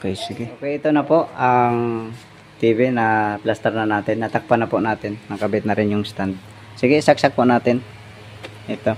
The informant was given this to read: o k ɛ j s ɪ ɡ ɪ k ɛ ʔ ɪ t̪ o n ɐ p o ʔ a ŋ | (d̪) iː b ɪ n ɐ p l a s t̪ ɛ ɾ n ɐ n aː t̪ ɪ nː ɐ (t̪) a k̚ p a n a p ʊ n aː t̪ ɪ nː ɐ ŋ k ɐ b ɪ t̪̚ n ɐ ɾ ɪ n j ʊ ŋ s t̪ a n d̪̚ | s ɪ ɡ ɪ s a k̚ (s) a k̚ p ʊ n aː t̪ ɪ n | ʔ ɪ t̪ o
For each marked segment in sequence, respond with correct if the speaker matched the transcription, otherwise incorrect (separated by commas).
incorrect, correct, correct